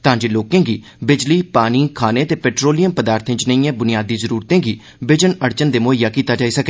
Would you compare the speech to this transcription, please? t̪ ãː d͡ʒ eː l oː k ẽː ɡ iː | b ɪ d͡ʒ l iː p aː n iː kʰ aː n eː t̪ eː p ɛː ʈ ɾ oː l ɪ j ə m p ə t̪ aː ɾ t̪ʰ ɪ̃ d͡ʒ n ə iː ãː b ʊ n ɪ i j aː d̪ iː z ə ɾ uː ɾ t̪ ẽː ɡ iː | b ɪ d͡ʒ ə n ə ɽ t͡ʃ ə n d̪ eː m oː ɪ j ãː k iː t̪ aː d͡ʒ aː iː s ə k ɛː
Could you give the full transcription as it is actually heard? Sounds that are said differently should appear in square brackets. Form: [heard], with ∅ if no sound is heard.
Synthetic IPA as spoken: t̪ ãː d͡ʒ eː l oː k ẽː ɡ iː | b ɪ d͡ʒ l iː p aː n iː kʰ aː n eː t̪ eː p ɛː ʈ ɾ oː l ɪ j ə m p ə [d̪] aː ɾ t̪ʰ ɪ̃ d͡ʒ n ə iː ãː b ʊ n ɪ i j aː d̪ iː z ə ɾ uː ɾ t̪ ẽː ɡ iː | b ɪ d͡ʒ ə n ə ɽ t͡ʃ ə n d̪ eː m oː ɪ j [aː] k iː t̪ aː d͡ʒ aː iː s ə k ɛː